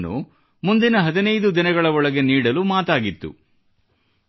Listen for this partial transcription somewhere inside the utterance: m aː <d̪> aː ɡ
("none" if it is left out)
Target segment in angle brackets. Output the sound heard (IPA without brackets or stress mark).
t̪